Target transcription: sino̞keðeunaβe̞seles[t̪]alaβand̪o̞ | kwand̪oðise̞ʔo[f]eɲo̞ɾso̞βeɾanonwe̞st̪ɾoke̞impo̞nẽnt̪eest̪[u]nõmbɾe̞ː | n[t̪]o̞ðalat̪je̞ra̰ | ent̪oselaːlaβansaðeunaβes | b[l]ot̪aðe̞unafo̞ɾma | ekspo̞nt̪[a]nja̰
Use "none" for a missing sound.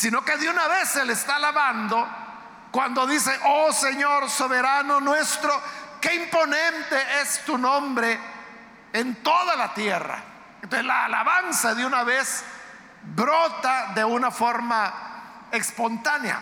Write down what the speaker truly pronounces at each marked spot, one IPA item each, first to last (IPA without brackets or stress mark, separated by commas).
t̪, s, u, t̪, ɾ, a